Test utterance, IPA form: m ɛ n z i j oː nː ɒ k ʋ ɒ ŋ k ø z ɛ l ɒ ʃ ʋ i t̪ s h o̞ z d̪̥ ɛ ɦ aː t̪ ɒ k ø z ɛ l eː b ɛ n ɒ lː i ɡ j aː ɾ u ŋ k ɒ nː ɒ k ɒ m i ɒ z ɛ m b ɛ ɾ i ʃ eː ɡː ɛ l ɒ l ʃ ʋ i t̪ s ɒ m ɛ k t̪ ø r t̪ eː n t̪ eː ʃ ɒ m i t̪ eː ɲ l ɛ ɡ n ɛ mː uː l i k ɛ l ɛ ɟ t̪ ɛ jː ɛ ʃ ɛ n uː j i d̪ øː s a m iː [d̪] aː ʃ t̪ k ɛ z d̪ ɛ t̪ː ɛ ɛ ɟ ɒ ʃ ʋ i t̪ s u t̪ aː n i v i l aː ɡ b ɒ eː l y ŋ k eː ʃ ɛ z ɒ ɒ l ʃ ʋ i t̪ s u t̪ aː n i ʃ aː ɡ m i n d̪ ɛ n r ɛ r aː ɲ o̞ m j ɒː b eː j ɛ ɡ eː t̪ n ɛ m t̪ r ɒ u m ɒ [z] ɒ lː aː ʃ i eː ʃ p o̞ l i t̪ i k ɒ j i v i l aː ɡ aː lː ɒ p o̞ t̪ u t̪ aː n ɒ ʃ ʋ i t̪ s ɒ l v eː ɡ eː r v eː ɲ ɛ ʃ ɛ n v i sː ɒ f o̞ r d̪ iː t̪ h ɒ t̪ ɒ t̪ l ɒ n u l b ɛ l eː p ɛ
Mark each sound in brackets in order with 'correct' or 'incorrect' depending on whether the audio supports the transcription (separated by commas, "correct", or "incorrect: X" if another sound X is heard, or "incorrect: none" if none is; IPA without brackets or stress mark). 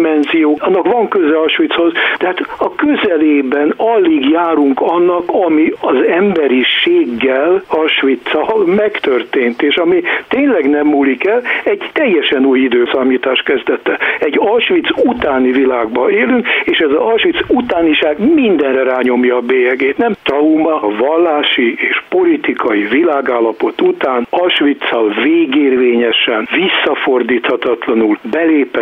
incorrect: t̪, incorrect: v